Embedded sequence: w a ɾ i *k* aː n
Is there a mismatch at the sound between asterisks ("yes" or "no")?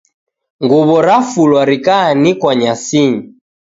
no